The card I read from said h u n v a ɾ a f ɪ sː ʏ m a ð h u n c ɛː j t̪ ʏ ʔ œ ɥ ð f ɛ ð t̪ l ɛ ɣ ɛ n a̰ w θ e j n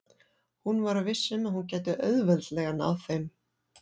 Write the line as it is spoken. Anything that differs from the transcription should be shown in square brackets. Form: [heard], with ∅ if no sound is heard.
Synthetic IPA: h u n v a ɾ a [v] ɪ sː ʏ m a ð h u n c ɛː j t̪ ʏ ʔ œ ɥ ð [v] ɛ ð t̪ l ɛ ɣ [a] n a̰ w θ e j [m]